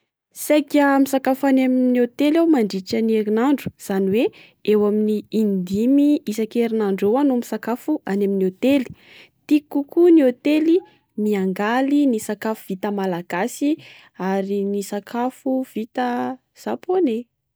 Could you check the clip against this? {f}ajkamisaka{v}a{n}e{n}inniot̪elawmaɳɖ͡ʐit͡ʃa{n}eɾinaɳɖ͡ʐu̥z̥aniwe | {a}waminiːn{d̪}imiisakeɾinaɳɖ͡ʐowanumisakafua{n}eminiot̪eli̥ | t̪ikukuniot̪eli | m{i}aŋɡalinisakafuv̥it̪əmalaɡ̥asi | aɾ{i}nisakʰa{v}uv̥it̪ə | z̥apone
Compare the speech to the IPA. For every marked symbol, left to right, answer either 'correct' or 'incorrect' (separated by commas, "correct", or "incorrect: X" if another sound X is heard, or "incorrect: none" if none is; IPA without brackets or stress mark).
incorrect: s, incorrect: f, correct, incorrect: m, correct, incorrect: e, correct, correct, correct, correct, incorrect: f